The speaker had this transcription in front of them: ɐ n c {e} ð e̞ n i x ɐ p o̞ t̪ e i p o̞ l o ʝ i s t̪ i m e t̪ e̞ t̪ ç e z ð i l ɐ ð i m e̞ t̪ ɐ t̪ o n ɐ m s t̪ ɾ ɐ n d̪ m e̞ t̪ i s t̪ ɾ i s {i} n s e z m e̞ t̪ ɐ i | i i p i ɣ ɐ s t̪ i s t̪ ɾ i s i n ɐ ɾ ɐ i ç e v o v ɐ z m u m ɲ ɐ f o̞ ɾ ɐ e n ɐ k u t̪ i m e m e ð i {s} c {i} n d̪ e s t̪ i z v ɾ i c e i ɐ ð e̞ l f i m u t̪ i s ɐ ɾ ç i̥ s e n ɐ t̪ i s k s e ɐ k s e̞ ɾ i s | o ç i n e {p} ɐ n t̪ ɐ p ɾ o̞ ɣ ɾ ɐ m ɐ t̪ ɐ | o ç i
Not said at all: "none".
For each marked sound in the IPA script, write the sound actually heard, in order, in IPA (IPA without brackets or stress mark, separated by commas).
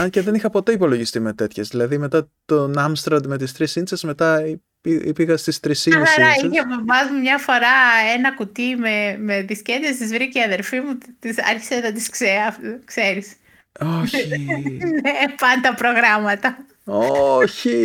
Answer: e, i, s, e, p